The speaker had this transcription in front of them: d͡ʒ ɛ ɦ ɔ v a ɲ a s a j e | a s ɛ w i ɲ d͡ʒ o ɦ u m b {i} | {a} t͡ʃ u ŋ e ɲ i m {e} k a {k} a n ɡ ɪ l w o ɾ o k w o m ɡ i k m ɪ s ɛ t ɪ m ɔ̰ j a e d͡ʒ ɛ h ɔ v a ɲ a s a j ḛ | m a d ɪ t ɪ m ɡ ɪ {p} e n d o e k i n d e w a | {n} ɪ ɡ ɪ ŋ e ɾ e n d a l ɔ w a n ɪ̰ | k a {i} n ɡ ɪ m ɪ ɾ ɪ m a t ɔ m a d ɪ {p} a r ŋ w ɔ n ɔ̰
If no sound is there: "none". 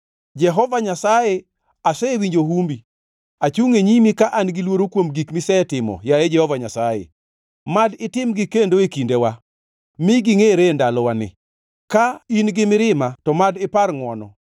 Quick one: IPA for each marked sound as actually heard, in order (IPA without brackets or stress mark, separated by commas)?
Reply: i, a, i, ʔ, k, m, i, p